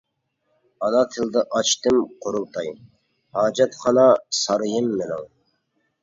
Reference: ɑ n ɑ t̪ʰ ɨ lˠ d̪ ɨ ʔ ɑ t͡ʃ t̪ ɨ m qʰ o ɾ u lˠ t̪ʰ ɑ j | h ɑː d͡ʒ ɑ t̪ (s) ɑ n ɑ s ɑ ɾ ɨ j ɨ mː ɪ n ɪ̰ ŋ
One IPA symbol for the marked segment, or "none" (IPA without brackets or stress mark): χ